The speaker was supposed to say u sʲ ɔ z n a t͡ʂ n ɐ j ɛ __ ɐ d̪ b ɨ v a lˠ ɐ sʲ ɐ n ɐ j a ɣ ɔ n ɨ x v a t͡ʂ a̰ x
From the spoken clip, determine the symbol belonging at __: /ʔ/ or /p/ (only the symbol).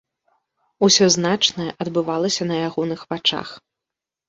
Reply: ʔ